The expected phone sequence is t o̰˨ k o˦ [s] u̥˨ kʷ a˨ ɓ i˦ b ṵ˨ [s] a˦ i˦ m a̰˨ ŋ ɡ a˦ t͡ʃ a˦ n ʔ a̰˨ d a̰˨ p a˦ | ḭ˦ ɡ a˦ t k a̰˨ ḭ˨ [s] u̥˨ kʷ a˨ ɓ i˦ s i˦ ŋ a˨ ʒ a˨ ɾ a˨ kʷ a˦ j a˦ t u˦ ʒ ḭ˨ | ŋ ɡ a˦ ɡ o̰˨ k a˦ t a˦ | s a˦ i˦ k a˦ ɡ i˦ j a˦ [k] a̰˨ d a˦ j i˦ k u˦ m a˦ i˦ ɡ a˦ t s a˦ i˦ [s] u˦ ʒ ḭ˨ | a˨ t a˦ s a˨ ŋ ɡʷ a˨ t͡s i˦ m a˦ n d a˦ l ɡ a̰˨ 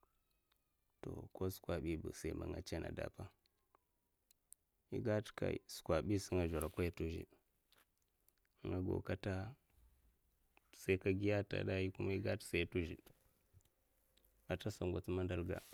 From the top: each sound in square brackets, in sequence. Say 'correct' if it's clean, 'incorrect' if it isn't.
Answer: correct, correct, correct, incorrect, incorrect

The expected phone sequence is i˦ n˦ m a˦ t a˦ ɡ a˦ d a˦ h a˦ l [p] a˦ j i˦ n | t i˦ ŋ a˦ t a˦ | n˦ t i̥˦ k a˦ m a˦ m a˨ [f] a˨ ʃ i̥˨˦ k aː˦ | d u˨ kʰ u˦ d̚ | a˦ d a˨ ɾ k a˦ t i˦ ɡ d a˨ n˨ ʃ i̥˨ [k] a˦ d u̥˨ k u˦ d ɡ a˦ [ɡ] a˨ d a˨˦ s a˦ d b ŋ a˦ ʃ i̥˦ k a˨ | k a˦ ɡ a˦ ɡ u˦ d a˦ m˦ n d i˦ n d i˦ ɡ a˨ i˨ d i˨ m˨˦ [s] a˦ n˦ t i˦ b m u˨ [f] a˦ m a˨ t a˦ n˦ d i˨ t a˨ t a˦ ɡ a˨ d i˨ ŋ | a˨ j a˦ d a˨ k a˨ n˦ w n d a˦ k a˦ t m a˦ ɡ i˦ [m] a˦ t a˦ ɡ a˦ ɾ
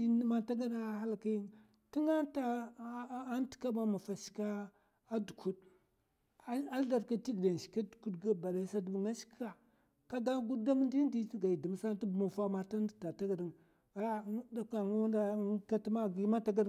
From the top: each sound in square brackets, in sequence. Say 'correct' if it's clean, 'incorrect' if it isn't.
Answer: incorrect, correct, correct, incorrect, correct, correct, correct

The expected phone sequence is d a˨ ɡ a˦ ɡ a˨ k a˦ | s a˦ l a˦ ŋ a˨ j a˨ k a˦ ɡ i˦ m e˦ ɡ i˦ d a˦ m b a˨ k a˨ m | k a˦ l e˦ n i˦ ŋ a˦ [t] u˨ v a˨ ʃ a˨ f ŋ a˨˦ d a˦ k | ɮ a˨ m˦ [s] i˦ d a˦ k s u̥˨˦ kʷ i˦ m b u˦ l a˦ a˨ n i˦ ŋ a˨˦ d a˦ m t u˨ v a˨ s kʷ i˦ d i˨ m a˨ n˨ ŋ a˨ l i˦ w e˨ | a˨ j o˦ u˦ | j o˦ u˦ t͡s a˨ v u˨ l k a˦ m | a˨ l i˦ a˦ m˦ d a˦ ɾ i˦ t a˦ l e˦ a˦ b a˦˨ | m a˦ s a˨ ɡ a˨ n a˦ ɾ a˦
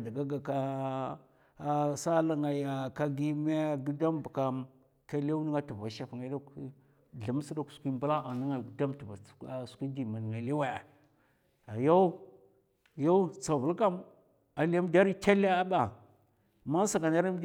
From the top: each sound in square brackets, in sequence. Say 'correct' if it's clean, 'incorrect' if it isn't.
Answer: correct, correct

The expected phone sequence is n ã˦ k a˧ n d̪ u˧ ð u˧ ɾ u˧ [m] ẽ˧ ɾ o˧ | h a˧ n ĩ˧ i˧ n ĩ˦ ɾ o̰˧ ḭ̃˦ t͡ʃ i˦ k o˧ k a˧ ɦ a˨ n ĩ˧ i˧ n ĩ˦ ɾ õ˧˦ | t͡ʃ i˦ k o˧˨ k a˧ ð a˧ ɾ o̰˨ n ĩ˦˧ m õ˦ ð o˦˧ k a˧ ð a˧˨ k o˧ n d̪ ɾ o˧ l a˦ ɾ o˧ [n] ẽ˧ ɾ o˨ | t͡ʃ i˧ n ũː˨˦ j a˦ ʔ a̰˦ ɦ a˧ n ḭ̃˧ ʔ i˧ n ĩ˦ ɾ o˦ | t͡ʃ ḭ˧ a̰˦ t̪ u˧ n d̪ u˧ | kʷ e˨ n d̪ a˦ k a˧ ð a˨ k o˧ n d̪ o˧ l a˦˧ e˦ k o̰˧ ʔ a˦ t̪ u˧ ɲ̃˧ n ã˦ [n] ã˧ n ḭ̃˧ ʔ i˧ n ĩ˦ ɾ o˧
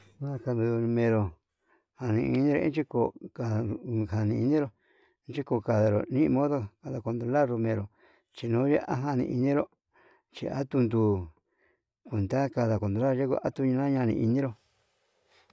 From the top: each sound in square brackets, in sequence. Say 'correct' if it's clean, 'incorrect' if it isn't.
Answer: correct, incorrect, incorrect

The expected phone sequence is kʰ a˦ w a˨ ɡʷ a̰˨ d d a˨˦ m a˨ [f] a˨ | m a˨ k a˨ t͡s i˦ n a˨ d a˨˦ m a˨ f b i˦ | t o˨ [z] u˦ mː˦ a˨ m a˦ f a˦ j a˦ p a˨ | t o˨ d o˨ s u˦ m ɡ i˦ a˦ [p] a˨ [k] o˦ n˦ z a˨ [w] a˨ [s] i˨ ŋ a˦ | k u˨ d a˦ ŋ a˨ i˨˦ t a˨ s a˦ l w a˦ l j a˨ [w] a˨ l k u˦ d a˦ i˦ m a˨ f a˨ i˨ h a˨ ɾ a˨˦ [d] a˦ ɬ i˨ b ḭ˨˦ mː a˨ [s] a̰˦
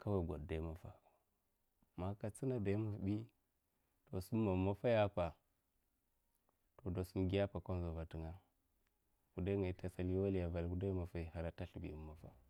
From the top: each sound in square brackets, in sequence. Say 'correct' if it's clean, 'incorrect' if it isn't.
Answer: correct, incorrect, correct, correct, incorrect, incorrect, incorrect, incorrect, incorrect

